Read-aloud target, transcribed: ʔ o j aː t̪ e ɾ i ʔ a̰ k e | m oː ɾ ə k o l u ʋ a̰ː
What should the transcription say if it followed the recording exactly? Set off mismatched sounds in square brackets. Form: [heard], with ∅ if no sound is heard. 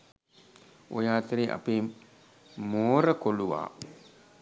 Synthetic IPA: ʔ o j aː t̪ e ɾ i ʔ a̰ [p] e | m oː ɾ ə k o l u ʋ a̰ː